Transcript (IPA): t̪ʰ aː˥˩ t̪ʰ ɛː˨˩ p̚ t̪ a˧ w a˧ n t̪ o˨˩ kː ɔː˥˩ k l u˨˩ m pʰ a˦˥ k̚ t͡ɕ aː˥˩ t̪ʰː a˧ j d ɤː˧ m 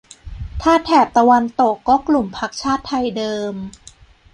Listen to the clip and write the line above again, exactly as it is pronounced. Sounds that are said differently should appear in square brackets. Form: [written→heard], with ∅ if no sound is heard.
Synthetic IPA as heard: t̪ʰ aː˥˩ t̪ʰ ɛː˨˩ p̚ t̪ a˧ w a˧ n t̪ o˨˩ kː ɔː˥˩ k l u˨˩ m pʰ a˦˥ k̚ [t͡ɕ→t͡ɕʰ] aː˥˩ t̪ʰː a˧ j d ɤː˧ m